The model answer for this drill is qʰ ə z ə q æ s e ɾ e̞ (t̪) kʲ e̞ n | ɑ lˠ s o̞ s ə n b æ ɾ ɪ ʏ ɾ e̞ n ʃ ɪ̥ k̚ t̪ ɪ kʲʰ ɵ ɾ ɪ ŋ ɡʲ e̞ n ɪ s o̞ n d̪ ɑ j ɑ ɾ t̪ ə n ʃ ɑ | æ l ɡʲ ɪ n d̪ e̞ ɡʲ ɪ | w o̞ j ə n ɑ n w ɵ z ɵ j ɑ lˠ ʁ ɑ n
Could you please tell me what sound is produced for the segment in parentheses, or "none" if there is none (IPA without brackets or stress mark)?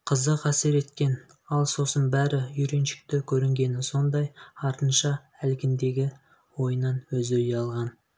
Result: t̪